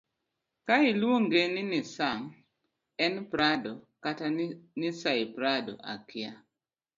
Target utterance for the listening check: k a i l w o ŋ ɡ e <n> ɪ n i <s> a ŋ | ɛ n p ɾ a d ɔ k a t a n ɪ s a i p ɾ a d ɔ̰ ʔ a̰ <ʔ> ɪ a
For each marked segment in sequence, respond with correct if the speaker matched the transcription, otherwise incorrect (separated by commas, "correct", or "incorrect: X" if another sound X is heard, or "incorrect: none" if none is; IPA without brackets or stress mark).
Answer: correct, correct, incorrect: k